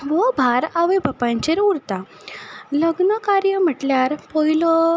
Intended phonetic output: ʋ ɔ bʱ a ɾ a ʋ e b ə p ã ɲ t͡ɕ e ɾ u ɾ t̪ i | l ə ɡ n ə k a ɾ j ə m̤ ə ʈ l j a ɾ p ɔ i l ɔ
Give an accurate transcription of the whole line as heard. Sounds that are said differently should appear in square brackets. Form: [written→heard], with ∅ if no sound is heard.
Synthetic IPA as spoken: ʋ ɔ bʱ a ɾ a ʋ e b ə p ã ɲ t͡ɕ e ɾ u ɾ t̪ [i→a] | l ə ɡ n ə k a ɾ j ə m̤ ə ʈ l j a ɾ p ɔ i l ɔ